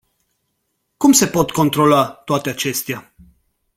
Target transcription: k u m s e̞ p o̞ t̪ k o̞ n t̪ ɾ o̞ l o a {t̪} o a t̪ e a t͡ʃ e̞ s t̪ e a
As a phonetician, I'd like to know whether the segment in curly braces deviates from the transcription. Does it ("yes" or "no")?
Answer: no